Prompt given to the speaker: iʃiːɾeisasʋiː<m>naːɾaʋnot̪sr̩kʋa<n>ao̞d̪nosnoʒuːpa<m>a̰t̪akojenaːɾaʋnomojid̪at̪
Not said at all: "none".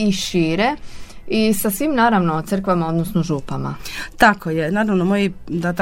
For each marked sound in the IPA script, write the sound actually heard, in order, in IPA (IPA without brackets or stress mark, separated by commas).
m, m, m